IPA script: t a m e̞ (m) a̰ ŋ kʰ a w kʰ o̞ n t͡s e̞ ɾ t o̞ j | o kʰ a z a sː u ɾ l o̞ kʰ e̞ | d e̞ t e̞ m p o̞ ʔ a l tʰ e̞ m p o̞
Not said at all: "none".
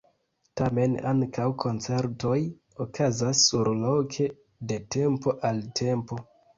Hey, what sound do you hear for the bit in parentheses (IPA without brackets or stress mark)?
n